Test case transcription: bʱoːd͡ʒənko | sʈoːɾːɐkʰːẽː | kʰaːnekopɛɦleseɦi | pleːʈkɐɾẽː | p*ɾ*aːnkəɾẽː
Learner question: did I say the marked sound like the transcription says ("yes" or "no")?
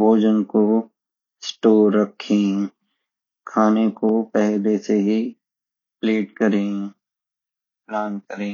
no